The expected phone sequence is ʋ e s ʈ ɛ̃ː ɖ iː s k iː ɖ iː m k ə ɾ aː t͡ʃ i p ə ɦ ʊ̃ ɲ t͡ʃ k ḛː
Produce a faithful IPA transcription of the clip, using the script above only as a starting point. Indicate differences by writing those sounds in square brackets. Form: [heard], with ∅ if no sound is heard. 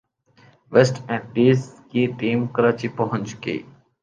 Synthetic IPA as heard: ʋ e s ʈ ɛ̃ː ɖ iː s k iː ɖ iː m k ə ɾ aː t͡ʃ i p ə ɦ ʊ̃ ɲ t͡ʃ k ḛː